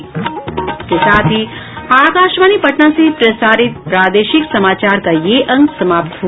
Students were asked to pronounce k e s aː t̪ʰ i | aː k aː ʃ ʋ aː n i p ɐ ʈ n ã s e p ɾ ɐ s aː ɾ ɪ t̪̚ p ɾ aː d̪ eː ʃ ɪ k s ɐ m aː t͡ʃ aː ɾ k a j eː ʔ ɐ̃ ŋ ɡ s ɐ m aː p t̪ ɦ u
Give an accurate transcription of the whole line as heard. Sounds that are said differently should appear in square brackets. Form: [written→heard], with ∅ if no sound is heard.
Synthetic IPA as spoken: k e s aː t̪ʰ i | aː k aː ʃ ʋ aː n i p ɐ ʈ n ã s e p ɾ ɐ s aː ɾ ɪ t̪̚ p ɾ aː d̪ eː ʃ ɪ k s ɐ m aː t͡ʃ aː ɾ k a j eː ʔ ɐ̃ ŋ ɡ s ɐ m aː p t̪ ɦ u